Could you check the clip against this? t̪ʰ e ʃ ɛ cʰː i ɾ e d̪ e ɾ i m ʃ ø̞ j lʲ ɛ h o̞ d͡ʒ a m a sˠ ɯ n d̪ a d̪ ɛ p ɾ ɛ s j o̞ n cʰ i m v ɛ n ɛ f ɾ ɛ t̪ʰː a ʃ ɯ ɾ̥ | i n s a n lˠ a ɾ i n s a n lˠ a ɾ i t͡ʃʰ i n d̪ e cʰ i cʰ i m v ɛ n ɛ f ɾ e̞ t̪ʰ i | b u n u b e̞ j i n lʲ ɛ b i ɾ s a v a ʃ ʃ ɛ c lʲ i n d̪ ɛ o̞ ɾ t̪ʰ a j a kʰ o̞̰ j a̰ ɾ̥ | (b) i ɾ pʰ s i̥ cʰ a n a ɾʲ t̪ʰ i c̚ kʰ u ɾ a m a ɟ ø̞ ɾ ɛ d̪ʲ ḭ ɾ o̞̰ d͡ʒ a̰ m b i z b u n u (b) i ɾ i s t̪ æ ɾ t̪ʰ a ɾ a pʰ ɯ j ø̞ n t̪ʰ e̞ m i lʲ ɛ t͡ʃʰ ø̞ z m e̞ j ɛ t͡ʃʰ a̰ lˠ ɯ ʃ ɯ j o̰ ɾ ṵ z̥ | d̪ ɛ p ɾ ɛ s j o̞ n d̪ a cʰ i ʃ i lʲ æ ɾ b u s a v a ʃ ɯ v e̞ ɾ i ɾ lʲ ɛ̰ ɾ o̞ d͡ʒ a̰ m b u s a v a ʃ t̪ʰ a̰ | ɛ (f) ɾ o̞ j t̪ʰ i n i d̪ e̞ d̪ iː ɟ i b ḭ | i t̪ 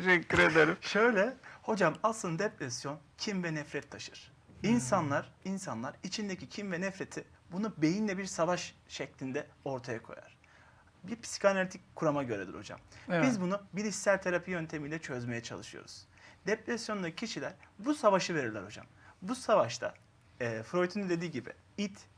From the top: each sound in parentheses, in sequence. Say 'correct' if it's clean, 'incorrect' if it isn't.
correct, correct, correct

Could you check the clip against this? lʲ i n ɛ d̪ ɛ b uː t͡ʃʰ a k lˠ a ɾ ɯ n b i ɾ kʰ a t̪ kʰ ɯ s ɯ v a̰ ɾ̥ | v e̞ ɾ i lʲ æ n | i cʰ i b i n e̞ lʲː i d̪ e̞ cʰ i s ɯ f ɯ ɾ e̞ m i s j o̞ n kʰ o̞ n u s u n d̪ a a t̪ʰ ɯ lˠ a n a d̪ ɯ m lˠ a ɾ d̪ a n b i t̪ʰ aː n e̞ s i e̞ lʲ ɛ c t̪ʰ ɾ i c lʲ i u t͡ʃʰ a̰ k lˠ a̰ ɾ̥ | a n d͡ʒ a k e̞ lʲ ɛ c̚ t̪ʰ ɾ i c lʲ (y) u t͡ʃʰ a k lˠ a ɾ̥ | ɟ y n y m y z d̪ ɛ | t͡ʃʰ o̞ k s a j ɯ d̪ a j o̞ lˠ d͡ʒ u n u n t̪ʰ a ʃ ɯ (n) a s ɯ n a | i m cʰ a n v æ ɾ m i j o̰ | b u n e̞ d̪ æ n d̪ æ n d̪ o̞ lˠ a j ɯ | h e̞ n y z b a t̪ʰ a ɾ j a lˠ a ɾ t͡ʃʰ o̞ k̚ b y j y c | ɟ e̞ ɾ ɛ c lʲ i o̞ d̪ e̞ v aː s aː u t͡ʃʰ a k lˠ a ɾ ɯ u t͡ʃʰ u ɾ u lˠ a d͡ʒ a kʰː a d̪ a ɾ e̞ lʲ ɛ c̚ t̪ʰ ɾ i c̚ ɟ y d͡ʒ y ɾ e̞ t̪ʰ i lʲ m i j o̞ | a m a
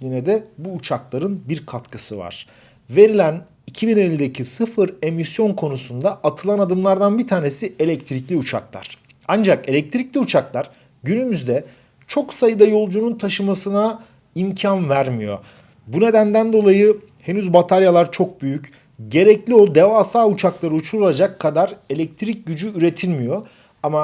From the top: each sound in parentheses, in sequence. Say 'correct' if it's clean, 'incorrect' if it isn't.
incorrect, incorrect

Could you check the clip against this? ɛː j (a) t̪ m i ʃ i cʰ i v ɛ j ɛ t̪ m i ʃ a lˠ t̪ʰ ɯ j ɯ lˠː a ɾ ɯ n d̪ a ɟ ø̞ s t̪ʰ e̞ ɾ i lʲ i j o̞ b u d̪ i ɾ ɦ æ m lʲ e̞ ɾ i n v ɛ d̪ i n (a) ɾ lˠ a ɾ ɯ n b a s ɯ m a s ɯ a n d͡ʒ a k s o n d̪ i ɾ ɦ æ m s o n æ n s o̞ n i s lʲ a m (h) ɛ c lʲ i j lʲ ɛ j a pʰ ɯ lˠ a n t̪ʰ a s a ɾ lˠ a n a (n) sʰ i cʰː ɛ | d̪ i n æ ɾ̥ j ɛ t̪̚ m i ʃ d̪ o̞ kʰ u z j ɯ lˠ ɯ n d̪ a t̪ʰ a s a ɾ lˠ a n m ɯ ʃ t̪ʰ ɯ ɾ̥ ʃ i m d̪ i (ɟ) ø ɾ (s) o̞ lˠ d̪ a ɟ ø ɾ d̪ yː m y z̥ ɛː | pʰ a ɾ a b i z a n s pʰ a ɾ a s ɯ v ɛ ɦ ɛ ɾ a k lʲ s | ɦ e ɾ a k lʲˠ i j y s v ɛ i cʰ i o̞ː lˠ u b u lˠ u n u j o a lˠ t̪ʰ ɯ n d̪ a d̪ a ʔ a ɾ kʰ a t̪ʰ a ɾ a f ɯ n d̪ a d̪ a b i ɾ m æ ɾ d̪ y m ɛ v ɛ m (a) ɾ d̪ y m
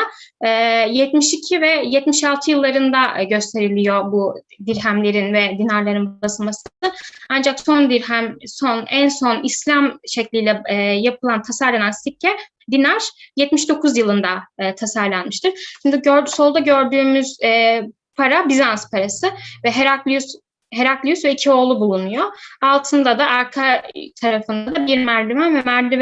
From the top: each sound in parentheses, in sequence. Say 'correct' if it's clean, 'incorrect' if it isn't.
incorrect, correct, incorrect, correct, correct, correct, incorrect

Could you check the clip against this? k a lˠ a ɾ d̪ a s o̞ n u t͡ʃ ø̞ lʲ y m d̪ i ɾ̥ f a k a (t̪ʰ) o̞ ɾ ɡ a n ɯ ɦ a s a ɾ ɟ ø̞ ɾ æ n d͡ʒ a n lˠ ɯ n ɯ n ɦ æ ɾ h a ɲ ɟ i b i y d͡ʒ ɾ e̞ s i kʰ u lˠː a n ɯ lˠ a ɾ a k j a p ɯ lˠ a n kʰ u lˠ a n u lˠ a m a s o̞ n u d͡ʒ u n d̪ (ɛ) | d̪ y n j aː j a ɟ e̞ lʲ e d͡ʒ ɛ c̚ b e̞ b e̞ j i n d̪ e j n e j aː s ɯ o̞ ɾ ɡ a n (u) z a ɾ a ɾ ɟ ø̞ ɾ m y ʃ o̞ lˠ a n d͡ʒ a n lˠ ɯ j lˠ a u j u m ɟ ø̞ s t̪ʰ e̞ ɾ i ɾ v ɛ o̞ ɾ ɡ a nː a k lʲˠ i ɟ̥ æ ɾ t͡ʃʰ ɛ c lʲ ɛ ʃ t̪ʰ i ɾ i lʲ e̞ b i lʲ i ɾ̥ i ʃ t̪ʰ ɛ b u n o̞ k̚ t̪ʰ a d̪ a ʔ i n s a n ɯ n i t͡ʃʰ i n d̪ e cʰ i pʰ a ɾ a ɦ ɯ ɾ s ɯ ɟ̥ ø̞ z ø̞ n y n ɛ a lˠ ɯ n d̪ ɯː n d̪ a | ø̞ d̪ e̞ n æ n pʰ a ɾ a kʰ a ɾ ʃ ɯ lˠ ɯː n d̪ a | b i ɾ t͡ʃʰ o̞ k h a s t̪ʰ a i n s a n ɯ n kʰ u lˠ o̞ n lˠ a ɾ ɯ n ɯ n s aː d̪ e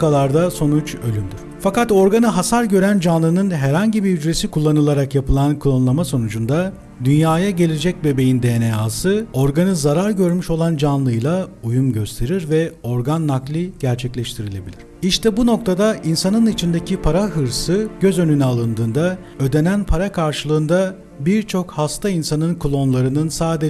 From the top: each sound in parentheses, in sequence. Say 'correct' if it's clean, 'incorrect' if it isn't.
incorrect, incorrect, incorrect

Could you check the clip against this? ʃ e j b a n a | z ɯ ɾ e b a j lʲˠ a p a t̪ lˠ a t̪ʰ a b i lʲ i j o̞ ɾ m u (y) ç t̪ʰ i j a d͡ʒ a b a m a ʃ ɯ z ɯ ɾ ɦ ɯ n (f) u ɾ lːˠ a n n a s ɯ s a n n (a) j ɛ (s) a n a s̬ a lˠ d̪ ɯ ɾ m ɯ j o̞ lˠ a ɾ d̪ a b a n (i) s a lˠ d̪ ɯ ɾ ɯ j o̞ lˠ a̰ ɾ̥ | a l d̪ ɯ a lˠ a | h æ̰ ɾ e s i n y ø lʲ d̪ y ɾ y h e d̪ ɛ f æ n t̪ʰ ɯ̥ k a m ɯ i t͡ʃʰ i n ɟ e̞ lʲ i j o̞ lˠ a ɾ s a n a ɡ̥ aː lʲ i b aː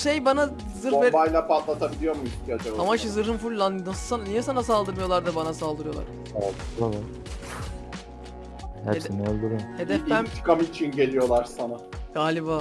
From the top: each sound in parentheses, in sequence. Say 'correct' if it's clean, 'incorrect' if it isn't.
incorrect, correct, incorrect, correct, incorrect

